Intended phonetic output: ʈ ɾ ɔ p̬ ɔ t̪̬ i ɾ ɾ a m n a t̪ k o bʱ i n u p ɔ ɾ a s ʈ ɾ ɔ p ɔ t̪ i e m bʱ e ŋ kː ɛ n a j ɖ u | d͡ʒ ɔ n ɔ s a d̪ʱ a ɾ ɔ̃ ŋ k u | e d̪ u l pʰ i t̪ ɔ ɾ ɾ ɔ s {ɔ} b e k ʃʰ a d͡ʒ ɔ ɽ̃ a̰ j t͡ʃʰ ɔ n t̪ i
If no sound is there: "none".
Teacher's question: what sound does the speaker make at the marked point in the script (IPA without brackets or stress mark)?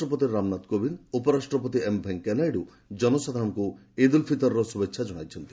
u